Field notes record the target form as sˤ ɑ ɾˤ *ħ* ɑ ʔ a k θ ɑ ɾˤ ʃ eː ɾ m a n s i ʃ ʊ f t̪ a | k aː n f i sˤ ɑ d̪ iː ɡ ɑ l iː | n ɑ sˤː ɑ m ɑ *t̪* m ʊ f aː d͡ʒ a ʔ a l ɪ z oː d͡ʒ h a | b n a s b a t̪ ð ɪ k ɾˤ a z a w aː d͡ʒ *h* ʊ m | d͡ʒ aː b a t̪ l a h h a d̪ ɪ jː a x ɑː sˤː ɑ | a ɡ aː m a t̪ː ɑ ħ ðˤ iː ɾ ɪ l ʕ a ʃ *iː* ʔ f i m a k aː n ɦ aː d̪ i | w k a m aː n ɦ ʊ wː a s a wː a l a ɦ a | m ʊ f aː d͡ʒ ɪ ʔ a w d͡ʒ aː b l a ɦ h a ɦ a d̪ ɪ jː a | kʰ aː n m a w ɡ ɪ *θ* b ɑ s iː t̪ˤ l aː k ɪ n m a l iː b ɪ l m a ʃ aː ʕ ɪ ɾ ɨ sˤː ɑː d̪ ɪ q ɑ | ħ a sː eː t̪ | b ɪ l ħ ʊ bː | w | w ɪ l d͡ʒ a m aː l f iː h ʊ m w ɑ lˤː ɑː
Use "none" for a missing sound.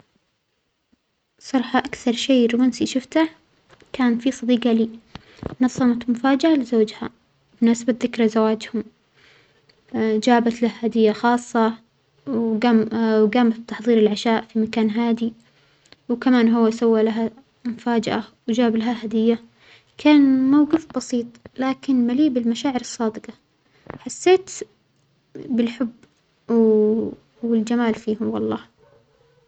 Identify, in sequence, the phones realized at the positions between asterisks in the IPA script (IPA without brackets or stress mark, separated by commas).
ħ, t̪, h, aː, f